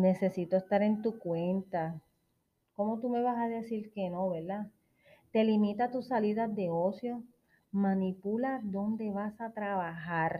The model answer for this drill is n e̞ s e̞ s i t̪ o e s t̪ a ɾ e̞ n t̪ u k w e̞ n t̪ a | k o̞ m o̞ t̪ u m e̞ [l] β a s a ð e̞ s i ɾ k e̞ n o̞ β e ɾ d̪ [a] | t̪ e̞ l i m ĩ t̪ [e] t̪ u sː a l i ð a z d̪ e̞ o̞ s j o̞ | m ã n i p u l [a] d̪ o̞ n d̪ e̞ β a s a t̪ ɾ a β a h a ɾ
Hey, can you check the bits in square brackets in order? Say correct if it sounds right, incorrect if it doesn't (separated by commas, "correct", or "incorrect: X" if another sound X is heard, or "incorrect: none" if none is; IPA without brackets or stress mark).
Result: incorrect: none, correct, incorrect: a, correct